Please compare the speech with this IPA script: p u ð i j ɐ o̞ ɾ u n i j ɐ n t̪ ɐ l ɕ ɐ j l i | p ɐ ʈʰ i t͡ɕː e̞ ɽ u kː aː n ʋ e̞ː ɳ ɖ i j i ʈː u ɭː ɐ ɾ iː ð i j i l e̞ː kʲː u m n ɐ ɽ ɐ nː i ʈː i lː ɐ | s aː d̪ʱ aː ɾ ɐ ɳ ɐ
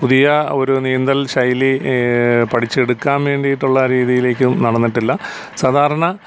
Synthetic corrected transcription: p u ð i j ɐ o̞ ɾ u n i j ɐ n d̪ ɐ l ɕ ɐ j l i | p ɐ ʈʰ i t͡ɕː e̞ ɽ u kː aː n ʋ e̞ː ɳ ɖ i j i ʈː u ɭː ɐ ɾ iː ð i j i l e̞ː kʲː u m n ɐ ɽ ɐ nː i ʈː i lː ɐ | s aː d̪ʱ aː ɾ ɐ ɳ ɐ

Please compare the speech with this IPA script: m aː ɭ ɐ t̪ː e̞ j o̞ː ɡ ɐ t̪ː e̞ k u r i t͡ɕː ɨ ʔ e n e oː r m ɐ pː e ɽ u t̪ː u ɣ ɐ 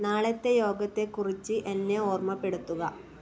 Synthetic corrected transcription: n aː ɭ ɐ t̪ː e̞ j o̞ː ɡ ɐ t̪ː e̞ k u r i t͡ɕː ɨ ʔ e nː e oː r m ɐ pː e ɽ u t̪ː u ɣ ɐ

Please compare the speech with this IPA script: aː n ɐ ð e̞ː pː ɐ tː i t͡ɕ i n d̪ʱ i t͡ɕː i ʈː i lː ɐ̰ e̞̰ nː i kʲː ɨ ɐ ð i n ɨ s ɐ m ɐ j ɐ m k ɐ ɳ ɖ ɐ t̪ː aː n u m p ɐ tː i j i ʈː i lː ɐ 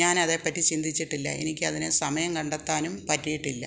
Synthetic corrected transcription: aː n ɐ ð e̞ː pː ɐ tː i t͡ɕ i n d̪ʱ i t͡ɕː i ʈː i lː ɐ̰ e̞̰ n i kʲː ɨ ɐ ð i n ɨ s ɐ m ɐ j ɐ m k ɐ ɳ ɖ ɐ t̪ː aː n u m p ɐ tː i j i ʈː i lː ɐ

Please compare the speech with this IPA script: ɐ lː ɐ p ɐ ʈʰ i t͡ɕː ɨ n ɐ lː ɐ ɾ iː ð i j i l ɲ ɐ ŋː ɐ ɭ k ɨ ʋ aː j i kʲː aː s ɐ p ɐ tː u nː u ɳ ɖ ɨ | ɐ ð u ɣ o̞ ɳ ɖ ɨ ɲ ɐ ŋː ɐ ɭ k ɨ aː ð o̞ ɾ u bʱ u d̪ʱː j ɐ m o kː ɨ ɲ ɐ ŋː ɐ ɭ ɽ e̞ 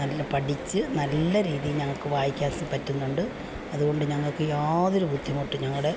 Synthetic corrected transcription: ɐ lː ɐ p ɐ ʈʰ i t͡ɕː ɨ n ɐ lː ɐ ɾ iː ð i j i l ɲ ɐ ŋː ɐ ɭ k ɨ ʋ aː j i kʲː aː s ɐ p ɐ tː u nː u ɳ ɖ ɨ | ɐ ð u ɣ o̞ ɳ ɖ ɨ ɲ ɐ ŋː ɐ ɭ k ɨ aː ð o̞ ɾ u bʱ u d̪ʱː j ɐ m o ʈː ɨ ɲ ɐ ŋː ɐ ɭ ɽ e̞

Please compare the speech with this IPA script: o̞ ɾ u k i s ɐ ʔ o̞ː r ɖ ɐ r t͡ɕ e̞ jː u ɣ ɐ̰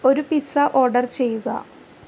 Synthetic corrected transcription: o̞ ɾ u p i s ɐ ʔ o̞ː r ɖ ɐ r t͡ɕ e̞ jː u ɣ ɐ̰

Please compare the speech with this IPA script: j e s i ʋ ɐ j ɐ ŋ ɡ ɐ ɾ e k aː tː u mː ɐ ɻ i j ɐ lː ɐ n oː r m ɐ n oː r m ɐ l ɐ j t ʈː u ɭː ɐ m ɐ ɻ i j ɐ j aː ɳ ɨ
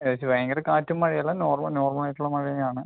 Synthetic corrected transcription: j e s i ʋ ɐ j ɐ ŋ ɡ ɐ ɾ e k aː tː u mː ɐ ɻ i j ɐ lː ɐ n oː r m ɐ n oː r m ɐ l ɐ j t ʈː u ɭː ɐ m ɐ ɻ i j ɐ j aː ɳ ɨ

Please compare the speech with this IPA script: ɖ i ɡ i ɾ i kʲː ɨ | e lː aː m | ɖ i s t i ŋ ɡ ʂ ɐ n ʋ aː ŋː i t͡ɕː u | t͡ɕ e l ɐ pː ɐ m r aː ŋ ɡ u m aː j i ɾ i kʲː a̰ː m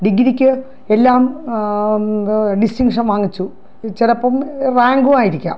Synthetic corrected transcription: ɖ i ɡ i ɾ i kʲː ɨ | e lː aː m | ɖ i s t i ŋ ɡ ʂ ɐ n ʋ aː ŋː i t͡ɕː u | t͡ɕ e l ɐ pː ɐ m r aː ŋ ɡ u m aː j i ɾ i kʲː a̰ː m

